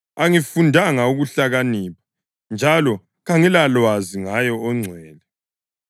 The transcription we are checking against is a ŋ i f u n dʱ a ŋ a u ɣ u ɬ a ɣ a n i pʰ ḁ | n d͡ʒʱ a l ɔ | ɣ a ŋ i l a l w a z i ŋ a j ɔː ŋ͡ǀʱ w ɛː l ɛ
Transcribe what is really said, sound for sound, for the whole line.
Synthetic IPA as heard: a ŋ i f u n dʱ a ŋ a u ɣ u ɬ a ɣ a n i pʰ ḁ | n d͡ʒʱ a l ɔ | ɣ a ŋ i l a l w a z i ŋ a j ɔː ŋ͡ǀʱ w ɛː l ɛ